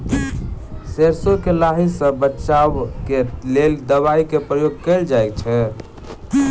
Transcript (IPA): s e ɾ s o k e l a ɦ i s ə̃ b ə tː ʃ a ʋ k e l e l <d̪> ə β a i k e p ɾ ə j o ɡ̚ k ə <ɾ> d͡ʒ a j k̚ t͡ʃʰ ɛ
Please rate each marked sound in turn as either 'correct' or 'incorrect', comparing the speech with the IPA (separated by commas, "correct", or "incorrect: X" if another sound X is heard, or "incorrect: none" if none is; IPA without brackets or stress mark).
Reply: correct, incorrect: l